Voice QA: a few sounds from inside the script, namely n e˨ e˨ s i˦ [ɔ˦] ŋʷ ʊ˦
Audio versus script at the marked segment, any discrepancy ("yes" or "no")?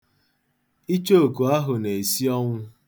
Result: no